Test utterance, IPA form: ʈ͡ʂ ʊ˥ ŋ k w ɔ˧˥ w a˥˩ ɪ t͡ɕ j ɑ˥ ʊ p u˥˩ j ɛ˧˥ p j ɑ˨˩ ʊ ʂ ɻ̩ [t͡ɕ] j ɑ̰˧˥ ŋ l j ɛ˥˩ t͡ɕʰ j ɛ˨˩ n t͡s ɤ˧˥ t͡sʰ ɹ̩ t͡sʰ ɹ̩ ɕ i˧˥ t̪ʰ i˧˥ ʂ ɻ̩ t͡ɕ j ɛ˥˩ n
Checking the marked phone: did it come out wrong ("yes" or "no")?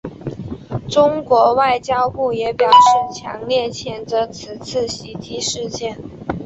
yes